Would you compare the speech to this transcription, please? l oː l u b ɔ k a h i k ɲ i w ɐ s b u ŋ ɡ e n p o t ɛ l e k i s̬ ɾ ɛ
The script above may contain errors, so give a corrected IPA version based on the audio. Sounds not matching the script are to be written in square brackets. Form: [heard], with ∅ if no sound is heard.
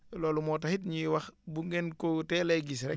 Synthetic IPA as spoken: l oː l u [m] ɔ [t] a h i [t] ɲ i w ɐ [x] b u ŋ ɡ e n [k] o t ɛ l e [ɡ] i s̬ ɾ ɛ